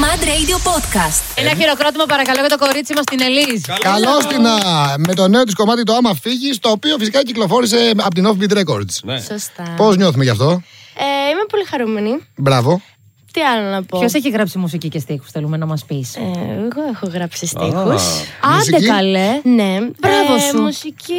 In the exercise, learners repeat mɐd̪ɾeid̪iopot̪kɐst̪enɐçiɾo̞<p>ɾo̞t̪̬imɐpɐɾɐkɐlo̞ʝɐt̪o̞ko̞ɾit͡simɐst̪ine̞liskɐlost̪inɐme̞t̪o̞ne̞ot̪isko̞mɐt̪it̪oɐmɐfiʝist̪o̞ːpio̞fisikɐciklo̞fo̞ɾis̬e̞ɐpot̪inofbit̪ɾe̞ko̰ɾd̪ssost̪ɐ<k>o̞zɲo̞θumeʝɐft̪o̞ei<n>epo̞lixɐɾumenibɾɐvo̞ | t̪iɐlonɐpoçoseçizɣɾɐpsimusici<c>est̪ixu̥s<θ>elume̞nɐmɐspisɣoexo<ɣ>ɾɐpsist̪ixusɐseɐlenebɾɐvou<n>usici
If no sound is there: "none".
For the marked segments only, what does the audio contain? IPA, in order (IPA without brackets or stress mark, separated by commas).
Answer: k, p, m, c, θ, ɣ, m